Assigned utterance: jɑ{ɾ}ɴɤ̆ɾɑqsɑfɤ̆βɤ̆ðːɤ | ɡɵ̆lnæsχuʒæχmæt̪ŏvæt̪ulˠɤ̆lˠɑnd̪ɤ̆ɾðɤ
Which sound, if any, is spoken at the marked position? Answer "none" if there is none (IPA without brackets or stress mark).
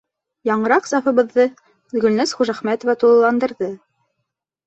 none